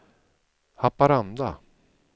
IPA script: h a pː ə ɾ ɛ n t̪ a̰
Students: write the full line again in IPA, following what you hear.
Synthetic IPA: h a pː a ɾ a n d̪ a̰

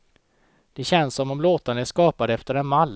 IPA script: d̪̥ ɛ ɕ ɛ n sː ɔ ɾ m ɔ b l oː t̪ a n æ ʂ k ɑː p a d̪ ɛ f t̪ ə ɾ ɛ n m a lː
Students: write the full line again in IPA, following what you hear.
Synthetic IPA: d̪̥ ɛ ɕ ɛ n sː ɔ m ɔ m l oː t̪ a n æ ʂ k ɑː p a d̪ ɛ f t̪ ə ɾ ɛ n m a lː

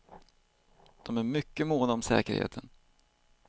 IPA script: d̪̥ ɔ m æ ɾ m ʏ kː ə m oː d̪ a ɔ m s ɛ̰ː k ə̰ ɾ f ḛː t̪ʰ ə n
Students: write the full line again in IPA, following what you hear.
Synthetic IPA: d̪̥ ɔ m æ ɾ m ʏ kː ə m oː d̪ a ɔ m s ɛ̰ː k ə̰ ɾ h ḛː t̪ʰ ə n

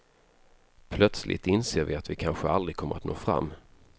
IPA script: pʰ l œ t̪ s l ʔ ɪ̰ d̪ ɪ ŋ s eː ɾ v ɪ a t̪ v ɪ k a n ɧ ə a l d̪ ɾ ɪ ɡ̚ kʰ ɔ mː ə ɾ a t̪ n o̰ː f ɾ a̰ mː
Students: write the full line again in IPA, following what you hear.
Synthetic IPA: pʰ l œ t̪ s l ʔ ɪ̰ t̪ ɪ n s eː ɾ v ɪ a t̪ v ɪ kʰ a n ɧ ə a l d̪ ɾ ɪ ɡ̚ kʰ ɔ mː ə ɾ a t̪ n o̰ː f ɾ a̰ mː

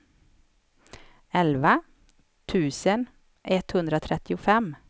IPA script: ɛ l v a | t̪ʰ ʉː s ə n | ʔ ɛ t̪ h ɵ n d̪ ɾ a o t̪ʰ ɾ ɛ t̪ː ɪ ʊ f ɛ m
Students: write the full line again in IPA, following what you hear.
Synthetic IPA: ɛ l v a | t̪ʰ ʉː s ə n | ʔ ɛ t̪ h ɵ n d̪ ɾ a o t̪ʰ ɾ ɛ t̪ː ɪ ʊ f ɛ m

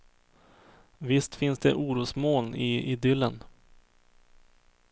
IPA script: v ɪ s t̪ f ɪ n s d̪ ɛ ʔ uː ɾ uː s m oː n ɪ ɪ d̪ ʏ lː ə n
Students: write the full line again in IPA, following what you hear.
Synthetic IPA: v ɪ s t̪ f ɪ n s d̪ ɛ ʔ uː ɾ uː s m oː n ɪ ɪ d̪ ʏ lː ə n

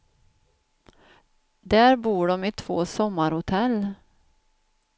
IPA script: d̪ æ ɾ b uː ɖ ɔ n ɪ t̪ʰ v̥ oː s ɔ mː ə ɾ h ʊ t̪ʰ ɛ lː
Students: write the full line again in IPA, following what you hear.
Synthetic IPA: d̪ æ ɾ b uː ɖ ɔ m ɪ t̪ʰ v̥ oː s ɔ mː a ɾ h ʊ t̪ʰ ɛ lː

